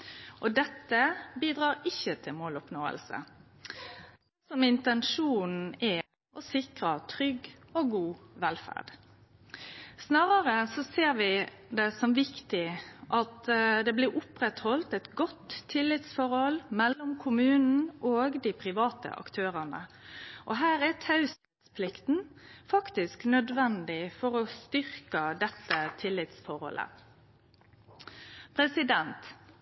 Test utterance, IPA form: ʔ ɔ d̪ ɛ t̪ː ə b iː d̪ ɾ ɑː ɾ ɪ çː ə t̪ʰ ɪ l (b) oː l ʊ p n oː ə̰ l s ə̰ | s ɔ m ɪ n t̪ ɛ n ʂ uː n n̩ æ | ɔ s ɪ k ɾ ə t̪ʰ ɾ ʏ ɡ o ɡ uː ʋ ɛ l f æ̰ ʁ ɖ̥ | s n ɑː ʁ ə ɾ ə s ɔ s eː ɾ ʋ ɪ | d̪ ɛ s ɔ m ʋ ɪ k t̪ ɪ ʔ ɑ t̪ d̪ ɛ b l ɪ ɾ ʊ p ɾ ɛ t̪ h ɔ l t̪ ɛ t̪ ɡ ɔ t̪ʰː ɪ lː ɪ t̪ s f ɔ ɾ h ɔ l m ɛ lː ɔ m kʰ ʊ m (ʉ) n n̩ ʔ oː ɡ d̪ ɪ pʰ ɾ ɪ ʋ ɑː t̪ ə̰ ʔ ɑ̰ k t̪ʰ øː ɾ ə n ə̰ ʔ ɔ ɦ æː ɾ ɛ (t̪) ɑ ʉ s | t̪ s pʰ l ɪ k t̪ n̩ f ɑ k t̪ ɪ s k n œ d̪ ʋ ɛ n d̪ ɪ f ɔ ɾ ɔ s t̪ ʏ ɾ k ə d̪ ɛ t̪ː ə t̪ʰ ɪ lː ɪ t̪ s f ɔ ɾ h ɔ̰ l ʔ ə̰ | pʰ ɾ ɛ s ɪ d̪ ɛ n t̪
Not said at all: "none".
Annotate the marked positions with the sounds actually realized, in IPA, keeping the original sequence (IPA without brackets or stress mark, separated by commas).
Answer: m, ʉː, t̪ʰ